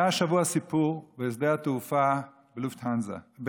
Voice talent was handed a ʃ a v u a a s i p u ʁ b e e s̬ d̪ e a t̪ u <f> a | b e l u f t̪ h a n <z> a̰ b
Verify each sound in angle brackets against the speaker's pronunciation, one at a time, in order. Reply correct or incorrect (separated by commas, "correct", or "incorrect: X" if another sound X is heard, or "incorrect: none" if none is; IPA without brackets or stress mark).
correct, correct